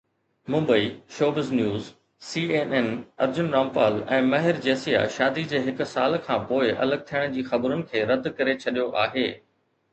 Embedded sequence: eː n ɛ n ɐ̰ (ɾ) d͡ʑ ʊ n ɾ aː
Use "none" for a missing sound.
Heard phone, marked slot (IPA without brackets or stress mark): ɾ